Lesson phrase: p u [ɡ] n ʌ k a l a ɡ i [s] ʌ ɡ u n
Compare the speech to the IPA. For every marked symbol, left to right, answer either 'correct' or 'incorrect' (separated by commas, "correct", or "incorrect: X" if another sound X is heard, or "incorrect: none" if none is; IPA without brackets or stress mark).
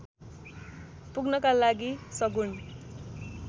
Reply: correct, correct